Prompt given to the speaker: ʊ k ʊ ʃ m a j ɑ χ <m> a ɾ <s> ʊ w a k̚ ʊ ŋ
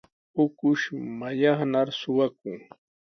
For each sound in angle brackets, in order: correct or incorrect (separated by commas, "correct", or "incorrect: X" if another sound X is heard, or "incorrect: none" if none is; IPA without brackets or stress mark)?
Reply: incorrect: n, correct